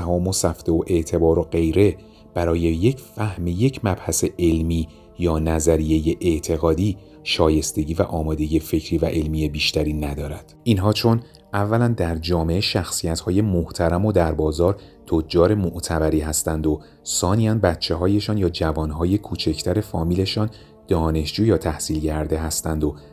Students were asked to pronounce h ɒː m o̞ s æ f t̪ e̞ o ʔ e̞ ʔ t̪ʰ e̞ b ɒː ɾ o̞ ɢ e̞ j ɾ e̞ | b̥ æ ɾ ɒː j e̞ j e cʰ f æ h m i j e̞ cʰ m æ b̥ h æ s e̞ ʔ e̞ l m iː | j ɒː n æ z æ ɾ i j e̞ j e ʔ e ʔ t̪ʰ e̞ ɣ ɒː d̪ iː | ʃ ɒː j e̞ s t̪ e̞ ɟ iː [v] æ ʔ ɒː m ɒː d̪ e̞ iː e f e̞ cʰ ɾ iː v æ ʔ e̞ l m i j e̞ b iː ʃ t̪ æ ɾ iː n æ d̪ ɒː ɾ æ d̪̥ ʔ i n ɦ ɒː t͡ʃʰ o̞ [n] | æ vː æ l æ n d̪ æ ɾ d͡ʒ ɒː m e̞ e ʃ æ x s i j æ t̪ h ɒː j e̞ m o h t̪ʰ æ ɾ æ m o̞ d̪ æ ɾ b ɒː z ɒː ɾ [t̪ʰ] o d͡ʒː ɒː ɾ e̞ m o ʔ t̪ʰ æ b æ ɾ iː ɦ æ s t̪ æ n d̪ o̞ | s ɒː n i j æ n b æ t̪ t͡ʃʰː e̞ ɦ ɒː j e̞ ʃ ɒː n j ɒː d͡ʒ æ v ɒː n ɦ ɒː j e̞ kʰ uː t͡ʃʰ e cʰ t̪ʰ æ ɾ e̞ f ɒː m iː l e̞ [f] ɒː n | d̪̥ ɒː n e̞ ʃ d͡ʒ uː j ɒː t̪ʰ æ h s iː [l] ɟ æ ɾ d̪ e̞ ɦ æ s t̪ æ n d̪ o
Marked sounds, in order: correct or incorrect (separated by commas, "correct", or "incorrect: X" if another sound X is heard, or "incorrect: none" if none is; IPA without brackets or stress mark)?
correct, correct, correct, incorrect: ʃ, correct